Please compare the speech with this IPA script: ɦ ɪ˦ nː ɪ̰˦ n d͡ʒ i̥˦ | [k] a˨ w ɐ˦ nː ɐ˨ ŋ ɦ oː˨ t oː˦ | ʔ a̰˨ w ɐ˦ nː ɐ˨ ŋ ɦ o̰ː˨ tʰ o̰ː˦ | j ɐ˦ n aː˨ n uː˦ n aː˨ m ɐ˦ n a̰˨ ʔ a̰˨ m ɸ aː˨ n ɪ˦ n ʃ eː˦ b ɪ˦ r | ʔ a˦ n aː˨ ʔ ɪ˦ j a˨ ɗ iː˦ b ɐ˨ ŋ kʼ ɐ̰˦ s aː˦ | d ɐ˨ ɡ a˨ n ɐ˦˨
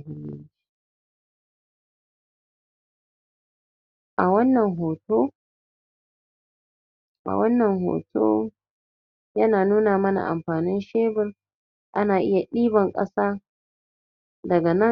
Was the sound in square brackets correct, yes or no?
no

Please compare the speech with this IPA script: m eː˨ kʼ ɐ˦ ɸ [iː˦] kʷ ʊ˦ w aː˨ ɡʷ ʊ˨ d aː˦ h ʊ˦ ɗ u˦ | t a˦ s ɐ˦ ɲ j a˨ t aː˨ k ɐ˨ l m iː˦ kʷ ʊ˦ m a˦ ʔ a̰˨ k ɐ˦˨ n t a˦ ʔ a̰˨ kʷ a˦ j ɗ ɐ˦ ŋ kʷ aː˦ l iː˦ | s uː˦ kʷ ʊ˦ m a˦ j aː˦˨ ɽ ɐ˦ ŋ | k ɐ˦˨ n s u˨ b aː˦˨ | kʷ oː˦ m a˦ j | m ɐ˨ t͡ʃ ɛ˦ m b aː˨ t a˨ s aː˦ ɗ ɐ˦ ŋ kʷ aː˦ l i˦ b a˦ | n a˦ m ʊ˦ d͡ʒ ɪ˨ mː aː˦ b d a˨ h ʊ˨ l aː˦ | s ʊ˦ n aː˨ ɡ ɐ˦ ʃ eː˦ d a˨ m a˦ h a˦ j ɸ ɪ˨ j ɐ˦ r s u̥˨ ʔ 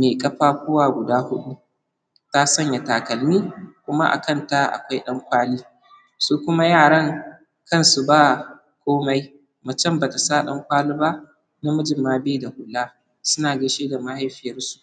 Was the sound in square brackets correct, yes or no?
no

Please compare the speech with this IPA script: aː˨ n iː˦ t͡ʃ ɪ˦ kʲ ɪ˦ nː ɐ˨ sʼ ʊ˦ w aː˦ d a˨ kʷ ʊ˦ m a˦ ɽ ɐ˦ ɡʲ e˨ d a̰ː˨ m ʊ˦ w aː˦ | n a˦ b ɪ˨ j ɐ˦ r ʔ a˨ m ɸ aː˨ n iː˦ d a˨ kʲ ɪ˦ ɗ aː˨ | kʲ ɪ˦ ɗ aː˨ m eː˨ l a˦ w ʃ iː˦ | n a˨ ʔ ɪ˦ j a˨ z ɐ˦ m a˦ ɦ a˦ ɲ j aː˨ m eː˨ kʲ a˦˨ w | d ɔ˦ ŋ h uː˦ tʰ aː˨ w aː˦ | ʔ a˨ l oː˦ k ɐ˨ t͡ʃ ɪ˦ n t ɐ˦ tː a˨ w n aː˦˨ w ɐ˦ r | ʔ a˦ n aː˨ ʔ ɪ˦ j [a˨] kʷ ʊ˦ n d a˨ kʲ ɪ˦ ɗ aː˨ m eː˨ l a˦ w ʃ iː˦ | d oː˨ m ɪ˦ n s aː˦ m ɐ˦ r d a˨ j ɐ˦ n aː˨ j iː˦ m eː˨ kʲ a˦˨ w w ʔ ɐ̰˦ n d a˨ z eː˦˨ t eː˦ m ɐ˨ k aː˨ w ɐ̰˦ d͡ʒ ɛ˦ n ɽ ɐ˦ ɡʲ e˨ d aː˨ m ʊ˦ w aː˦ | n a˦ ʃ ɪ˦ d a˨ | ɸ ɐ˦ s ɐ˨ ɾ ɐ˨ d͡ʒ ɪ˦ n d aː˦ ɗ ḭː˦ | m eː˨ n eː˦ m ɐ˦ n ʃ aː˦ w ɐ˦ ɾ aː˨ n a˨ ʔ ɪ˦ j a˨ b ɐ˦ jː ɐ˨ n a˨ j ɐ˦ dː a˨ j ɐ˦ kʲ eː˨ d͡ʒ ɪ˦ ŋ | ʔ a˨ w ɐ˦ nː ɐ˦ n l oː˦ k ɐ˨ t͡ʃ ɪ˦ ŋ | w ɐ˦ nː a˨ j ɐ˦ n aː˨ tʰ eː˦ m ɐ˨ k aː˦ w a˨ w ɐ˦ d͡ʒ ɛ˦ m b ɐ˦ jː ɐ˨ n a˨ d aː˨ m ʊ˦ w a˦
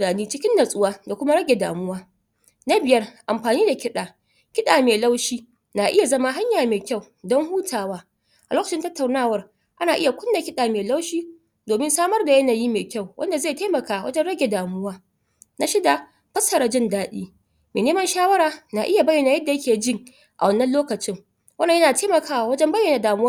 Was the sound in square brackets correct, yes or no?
yes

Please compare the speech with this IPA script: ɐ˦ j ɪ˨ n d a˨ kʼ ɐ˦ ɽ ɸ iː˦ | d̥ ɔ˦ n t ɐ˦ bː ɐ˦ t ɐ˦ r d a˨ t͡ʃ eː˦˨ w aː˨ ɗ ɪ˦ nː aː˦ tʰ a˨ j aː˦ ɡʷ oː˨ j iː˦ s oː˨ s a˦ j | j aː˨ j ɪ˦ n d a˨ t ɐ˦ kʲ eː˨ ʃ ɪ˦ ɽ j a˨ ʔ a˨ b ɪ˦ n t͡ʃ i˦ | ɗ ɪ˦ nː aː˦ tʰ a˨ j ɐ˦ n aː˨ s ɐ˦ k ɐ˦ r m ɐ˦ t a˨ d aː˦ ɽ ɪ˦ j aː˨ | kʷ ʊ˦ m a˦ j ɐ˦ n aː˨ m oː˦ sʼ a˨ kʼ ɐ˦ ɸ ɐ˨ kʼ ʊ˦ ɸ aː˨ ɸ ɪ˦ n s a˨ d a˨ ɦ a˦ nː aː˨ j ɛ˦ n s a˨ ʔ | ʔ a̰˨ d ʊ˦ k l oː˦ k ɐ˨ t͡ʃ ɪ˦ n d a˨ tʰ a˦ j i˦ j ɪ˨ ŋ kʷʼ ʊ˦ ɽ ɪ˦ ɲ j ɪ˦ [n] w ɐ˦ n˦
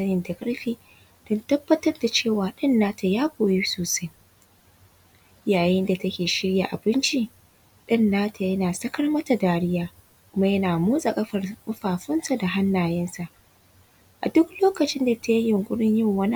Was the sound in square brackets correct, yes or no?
no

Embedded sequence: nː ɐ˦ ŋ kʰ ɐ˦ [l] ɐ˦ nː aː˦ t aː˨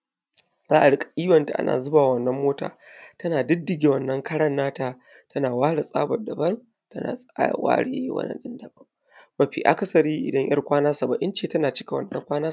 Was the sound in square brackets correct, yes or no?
no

